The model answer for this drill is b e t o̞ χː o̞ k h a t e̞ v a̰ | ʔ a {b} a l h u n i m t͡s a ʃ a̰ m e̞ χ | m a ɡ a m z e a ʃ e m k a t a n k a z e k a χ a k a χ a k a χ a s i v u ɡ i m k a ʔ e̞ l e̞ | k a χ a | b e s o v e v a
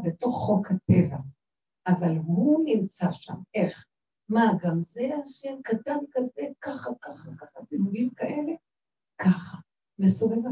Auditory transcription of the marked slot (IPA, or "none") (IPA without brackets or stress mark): v